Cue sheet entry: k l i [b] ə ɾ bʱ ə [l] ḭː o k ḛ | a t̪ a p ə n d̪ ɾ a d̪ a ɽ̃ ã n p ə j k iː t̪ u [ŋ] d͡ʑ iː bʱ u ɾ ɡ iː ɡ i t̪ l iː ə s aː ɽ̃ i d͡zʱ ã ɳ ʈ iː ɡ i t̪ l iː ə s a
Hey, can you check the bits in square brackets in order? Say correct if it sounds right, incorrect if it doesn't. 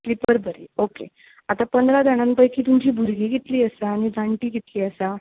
incorrect: p, incorrect: ɾ, incorrect: m

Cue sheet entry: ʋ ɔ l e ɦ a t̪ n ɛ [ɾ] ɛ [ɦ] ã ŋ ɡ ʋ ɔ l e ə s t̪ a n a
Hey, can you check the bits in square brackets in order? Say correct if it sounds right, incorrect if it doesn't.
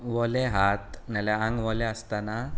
incorrect: l, incorrect: none

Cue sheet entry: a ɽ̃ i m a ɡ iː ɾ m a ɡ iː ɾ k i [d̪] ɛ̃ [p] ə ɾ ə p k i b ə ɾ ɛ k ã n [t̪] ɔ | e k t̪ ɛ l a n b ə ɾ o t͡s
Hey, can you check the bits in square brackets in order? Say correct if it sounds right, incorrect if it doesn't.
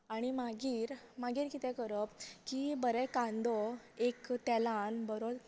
incorrect: t̪, incorrect: k, incorrect: d̪

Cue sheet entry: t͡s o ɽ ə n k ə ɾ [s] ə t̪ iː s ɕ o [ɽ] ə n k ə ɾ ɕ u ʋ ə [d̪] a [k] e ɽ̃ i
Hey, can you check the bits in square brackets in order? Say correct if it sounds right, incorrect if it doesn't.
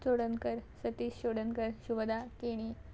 correct, correct, correct, correct

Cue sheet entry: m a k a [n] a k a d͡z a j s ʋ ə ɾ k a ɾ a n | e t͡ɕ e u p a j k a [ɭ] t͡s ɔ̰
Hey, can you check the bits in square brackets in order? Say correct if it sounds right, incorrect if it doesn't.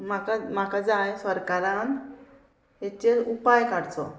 incorrect: m, incorrect: ɽ

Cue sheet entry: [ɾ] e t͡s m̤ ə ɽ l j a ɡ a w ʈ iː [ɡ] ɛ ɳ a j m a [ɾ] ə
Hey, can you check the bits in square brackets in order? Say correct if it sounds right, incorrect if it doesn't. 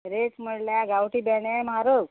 correct, incorrect: b, correct

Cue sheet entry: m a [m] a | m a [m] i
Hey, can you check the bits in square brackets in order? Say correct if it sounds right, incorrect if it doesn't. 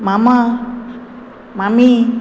correct, correct

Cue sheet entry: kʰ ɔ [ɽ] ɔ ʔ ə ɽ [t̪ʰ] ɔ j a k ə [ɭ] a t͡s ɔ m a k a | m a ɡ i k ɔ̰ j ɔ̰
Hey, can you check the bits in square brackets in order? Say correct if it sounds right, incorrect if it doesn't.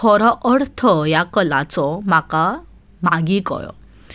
incorrect: ɾ, correct, incorrect: l

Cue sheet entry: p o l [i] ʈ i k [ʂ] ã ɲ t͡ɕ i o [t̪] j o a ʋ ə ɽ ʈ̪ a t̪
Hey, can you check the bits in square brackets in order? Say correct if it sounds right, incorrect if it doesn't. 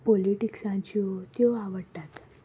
correct, incorrect: s, correct

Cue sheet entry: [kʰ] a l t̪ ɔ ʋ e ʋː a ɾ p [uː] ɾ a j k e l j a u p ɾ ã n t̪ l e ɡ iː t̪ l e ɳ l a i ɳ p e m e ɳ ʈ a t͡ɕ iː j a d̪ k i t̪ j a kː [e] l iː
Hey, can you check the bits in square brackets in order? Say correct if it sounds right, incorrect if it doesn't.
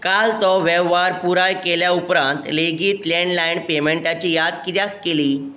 incorrect: k, incorrect: u, correct

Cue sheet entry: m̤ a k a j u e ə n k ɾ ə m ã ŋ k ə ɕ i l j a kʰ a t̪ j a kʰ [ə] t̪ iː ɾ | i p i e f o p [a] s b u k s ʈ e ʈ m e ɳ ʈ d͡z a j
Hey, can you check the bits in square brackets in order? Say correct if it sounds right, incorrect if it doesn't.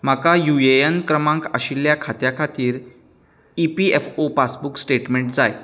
incorrect: a, correct

